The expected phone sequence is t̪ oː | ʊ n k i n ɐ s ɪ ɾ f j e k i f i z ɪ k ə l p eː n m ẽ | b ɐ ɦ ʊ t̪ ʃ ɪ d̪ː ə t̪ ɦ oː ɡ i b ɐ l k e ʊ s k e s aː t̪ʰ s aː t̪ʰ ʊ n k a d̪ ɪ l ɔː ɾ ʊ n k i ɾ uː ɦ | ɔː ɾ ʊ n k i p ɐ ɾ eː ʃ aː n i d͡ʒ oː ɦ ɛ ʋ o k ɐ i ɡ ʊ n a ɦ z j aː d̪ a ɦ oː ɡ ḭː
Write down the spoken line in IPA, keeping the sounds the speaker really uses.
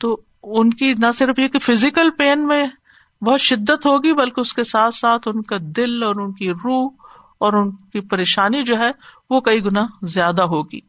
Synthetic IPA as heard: t̪ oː | ʊ n k i n ɐ s ɪ ɾ f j e k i f ɪ z ɪ k ə l p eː n m ẽ | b ɐ ɦ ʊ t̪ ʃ ɪ d̪ː ə t̪ ɦ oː ɡ i b ɐ l k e ʊ s k e s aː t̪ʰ s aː t̪ʰ ʊ n k a d̪ ɪ l ɔː ɾ ʊ n k i ɾ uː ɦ | ɔː ɾ ʊ n k i p ɐ ɾ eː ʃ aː n i d͡ʒ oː ɦ ɛ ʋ o k ɐ i ɡ ʊ n a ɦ z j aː d̪ a ɦ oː ɡ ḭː